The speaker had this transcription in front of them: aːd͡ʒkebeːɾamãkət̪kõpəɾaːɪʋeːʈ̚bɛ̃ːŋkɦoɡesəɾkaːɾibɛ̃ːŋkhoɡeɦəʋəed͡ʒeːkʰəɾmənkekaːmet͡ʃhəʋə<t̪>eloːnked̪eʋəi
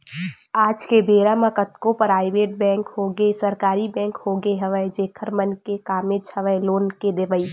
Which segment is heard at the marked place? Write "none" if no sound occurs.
none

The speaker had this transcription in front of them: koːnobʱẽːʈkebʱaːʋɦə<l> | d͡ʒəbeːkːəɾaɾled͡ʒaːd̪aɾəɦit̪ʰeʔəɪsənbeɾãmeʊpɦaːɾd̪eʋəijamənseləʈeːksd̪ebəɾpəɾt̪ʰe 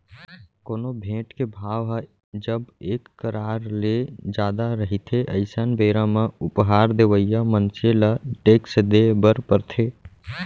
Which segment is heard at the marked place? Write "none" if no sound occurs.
none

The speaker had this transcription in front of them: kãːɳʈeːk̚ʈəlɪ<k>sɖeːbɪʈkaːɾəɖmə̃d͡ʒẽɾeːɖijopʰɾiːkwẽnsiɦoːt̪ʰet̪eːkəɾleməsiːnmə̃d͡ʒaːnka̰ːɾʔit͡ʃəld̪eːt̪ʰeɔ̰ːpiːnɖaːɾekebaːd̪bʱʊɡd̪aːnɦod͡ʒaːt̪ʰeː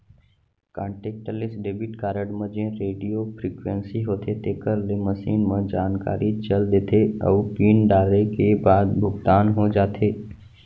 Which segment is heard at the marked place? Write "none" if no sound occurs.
none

